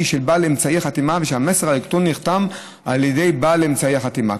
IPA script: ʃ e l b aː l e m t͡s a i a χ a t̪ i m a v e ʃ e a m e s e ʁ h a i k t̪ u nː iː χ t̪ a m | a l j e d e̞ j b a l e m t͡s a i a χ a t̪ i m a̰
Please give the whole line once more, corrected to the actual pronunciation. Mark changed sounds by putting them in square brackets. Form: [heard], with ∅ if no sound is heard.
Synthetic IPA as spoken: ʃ e l b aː l e m t͡s a i a χ a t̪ i m a v e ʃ e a m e s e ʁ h a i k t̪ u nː [i] χ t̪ a m | a l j e d e̞ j b a l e m t͡s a i a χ a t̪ i m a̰

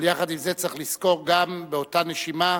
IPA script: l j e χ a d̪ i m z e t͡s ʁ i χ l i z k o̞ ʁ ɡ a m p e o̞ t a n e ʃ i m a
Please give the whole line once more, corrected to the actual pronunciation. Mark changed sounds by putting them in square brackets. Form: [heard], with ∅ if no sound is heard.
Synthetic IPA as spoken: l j [a] χ a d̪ i m z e t͡s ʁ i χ l i [s] k o̞ ʁ ɡ a m [b] e o̞ t a n e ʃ i m a

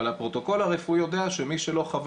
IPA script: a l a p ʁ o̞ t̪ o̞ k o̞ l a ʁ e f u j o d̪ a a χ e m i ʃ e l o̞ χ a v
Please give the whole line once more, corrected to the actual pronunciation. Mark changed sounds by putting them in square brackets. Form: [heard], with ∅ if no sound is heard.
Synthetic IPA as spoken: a l a p ʁ o̞ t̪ o̞ k o̞ l a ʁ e f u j o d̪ [e] a [ʃ] e m i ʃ e l o̞ χ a v

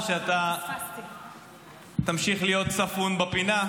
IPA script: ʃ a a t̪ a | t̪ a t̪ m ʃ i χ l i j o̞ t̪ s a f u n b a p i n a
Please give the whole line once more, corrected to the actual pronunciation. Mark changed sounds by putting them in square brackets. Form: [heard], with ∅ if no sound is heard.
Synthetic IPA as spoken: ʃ [e] a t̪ a | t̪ a [∅] m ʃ i χ l i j o̞ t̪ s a f u n b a p i n a

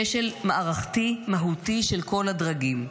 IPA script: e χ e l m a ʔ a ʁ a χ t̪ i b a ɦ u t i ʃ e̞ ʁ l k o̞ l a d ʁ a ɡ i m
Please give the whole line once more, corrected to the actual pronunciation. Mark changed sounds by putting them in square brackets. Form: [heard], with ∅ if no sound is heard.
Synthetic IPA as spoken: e [ʃ] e l m a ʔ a ʁ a χ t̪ i [m] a ɦ u t i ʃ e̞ [∅] l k o̞ l a d ʁ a ɡ i m

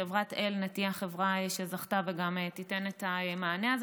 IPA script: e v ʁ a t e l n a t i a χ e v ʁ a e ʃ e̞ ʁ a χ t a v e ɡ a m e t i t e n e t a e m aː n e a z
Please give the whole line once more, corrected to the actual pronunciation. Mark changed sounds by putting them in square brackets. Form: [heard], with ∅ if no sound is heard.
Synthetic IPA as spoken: e v ʁ a t e l n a t i a χ e v ʁ a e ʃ e̞ [z] a χ t a v e ɡ a m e t i t e n e t a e m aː n e a z

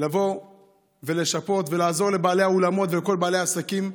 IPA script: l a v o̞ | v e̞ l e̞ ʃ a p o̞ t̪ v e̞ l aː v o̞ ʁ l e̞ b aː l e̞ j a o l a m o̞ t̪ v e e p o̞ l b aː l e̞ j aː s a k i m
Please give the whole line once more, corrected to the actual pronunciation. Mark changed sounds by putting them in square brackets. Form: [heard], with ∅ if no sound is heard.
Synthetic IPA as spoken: l a v o̞ | v e̞ l e̞ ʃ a p o̞ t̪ v e̞ l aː [z] o̞ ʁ l e̞ b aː l e̞ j a o l a m o̞ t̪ v e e [k] o̞ l b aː l e̞ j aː s a k i m

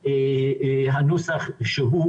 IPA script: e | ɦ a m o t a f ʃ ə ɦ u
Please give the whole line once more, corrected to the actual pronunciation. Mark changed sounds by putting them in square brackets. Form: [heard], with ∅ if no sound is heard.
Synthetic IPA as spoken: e | ɦ a [n] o [s] a [χ] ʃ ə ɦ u

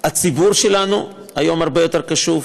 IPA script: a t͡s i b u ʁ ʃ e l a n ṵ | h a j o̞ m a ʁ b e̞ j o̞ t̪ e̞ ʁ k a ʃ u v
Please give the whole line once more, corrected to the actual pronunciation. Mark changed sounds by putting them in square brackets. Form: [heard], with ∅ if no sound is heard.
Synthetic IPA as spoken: a t͡s i b u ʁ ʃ e l a n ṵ | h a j o̞ m a ʁ b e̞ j o̞ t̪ e̞ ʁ k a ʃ u v

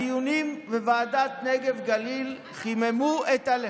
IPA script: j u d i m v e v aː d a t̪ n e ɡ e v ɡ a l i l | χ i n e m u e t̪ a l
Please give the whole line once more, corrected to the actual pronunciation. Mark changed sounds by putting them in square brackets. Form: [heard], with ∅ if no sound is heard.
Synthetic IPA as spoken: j u [n] i m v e v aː d a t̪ n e ɡ e v ɡ a l i l | χ i [m] e m u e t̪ a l

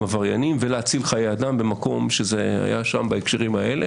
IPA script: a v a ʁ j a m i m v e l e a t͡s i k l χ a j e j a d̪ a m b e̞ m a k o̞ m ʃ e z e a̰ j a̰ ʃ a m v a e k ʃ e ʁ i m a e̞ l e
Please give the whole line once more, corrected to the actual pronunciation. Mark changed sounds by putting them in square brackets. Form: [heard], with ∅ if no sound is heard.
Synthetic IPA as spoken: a v a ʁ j a [n] i m v e l e a t͡s i [∅] l χ a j e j a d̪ a m b e̞ m a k o̞ m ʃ e z e a̰ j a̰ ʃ a m [b] a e k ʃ e ʁ i m a e̞ l e

